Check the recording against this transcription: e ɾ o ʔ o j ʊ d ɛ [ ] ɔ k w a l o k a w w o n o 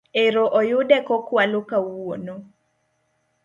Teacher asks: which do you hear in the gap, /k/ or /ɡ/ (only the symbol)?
k